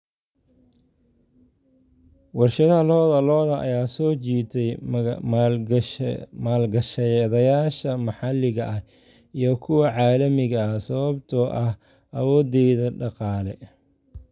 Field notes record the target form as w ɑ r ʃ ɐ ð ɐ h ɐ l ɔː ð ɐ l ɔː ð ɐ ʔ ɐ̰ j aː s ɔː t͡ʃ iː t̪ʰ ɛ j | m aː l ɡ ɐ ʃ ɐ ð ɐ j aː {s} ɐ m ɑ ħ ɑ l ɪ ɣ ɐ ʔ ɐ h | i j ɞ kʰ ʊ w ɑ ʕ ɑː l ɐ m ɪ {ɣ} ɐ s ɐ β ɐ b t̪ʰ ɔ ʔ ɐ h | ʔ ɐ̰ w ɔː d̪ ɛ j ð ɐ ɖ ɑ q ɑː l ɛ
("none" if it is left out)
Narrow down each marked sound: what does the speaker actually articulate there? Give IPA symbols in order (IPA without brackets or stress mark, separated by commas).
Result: ʃ, ɣ